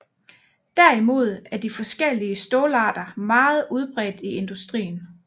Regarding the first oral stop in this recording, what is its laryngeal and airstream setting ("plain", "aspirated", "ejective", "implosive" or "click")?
plain